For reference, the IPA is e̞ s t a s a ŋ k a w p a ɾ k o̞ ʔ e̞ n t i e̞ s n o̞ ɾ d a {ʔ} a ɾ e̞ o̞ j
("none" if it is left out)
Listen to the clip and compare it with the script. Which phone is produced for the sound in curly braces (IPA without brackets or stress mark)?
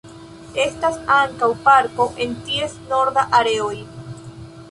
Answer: ʔ